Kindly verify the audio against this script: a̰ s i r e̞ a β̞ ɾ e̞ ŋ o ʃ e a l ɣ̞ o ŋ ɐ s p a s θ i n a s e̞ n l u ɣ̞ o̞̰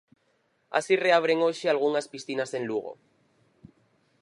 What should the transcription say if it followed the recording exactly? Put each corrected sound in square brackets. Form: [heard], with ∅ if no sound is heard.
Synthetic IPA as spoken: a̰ s i r e̞ a β̞ ɾ e̞ ŋ o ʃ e a l ɣ̞ [u] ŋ [a] s p [i] s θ i n a s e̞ n l u ɣ̞ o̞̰